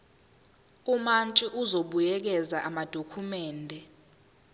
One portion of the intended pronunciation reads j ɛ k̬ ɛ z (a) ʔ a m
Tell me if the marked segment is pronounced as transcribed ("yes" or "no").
yes